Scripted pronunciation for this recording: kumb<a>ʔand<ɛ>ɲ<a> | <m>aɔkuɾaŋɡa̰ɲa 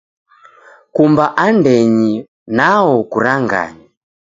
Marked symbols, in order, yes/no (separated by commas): yes, yes, no, no